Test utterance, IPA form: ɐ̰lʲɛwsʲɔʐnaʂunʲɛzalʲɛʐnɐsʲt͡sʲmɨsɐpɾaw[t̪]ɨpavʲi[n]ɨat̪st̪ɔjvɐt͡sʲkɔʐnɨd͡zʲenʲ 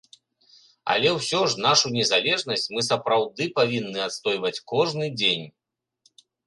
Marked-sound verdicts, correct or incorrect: incorrect: d̪, incorrect: nː

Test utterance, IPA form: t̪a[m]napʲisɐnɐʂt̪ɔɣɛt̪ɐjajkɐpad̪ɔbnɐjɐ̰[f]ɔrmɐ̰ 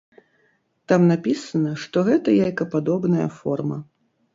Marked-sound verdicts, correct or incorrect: correct, correct

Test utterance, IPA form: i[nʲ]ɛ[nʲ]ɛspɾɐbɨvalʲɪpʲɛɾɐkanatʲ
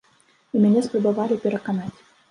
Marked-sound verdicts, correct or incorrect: incorrect: mʲ, correct

